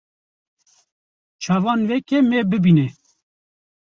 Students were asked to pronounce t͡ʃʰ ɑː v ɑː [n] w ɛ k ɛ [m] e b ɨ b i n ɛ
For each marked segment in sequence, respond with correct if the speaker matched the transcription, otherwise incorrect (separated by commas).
correct, correct